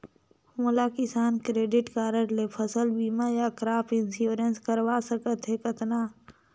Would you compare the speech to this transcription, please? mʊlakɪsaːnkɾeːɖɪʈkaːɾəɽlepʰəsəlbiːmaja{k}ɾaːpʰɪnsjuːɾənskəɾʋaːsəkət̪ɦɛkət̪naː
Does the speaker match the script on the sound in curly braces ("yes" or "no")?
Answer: yes